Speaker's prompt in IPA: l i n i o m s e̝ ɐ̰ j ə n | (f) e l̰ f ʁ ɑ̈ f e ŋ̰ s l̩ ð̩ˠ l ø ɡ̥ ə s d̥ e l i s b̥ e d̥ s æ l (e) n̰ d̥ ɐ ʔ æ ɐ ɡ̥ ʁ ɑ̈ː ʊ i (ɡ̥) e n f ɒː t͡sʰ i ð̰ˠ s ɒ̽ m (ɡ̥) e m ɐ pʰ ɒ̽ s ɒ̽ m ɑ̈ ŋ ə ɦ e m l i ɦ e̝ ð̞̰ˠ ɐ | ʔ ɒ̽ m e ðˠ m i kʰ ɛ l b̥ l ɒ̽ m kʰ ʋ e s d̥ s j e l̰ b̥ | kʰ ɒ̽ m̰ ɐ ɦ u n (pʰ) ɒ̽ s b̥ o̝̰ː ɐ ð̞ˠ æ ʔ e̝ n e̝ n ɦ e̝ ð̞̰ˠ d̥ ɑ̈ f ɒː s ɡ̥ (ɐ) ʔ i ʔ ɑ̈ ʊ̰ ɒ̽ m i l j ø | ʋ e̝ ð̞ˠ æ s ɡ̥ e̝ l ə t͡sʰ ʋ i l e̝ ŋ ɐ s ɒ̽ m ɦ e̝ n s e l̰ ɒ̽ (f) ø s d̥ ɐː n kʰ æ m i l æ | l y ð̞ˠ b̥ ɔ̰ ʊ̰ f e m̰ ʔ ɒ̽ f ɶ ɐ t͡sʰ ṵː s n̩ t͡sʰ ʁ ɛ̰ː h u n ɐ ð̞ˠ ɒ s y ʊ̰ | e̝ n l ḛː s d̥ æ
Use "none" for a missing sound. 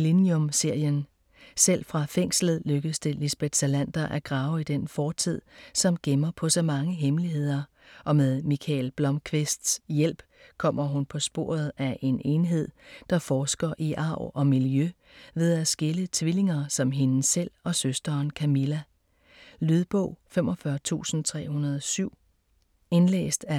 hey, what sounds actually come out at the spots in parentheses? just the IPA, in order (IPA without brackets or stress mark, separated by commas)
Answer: s, æ, d̥, ɡ̥, pʰ, ɐ, s